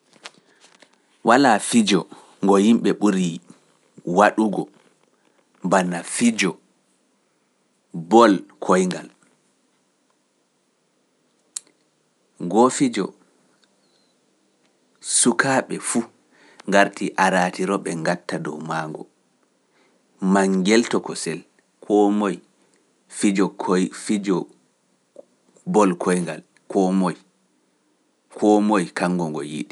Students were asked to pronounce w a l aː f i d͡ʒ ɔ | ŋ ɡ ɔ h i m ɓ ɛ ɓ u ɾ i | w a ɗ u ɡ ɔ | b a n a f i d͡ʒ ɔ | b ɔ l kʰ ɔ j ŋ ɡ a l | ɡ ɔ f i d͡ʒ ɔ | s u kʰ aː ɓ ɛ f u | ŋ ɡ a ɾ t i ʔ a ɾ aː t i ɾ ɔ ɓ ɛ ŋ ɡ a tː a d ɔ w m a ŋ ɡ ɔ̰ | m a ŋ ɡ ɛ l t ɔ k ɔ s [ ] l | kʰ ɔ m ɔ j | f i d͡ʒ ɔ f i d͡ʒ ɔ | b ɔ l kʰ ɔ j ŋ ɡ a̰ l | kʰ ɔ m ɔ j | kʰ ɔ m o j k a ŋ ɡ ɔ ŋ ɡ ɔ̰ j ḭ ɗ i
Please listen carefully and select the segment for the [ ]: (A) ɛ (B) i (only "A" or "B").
A